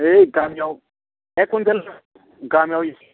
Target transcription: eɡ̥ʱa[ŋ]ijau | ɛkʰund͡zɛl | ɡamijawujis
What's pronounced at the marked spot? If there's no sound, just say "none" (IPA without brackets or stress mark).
m